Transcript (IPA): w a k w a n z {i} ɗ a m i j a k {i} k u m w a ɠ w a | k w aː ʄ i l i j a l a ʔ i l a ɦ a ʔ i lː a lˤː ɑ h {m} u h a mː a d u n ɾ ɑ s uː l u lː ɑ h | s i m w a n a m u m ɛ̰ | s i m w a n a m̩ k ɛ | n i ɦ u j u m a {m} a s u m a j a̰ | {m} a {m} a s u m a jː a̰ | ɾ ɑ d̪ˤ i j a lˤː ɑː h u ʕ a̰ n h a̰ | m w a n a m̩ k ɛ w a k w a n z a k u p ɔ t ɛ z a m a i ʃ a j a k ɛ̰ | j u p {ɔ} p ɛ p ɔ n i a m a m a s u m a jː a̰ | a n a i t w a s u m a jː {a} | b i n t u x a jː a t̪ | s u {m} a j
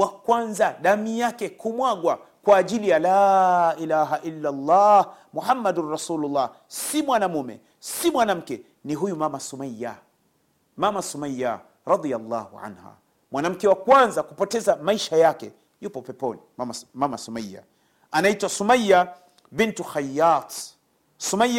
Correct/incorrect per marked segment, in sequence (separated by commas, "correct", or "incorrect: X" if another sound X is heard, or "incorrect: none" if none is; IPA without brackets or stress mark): incorrect: a, incorrect: ɛ, correct, correct, correct, correct, correct, correct, correct